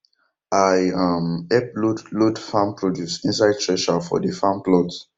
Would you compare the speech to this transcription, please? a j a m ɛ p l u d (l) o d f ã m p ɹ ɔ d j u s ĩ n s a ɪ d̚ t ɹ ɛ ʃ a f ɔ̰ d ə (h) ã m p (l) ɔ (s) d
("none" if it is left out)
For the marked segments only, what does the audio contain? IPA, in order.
l, f, l, none

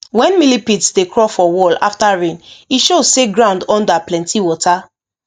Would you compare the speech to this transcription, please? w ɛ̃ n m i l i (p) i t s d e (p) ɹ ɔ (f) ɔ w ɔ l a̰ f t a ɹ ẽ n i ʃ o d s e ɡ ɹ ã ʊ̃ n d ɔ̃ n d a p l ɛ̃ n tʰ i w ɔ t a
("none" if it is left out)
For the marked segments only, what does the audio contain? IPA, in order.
p, k, f

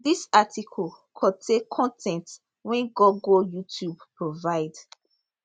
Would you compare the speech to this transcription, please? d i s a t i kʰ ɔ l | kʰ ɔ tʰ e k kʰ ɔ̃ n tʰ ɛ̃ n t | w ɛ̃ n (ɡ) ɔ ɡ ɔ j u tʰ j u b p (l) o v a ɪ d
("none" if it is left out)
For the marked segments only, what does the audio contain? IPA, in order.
ɡ, ɹ

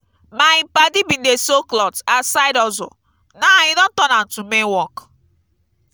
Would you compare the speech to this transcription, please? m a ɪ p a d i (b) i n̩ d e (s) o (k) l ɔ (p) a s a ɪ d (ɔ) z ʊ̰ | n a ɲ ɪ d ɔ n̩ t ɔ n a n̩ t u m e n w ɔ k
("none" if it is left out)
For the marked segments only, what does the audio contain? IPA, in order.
b, s, k, t, ɔ

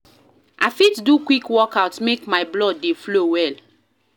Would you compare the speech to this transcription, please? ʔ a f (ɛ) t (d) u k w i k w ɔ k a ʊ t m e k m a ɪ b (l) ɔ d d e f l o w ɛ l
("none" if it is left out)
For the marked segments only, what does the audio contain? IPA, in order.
i, d, l

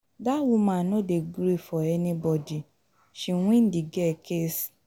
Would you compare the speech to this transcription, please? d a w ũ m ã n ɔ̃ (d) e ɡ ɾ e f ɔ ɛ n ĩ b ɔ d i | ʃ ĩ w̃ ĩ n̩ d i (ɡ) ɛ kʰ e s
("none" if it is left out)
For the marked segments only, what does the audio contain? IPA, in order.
d, ɡ

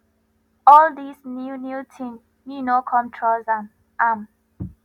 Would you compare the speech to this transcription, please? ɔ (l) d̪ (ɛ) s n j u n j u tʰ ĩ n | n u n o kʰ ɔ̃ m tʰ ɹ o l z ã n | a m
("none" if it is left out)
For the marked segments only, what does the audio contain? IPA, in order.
l, i

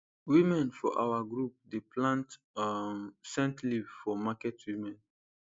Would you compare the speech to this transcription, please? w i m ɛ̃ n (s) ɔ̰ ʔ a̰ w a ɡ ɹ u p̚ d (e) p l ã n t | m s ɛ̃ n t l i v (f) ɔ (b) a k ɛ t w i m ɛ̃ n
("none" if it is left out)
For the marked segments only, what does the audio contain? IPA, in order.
f, e, f, m

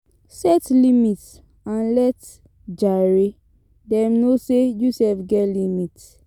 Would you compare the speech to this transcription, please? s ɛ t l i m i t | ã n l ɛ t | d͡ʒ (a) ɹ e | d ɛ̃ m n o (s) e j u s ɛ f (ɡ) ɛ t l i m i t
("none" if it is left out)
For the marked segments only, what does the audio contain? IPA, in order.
a, s, ɡ

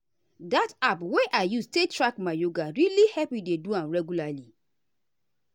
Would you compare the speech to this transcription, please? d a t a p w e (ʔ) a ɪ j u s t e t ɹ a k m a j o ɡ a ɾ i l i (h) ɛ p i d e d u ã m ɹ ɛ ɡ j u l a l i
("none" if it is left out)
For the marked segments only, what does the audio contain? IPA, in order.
ʔ, h

